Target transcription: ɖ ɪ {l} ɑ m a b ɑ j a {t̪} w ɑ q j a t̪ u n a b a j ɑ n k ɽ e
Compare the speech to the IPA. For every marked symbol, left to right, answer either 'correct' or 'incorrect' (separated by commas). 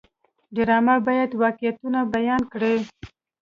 incorrect, incorrect